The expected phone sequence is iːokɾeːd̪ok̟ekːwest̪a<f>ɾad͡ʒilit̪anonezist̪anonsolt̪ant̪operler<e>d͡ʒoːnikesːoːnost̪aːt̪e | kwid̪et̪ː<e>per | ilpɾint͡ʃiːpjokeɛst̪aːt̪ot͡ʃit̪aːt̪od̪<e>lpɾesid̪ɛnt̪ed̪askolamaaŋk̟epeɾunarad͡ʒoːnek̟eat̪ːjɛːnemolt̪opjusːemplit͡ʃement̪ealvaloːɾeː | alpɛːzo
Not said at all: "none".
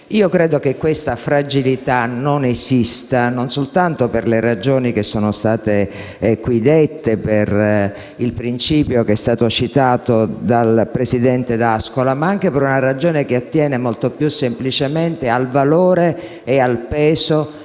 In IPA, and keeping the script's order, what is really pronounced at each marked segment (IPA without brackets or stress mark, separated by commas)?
f, a, e, a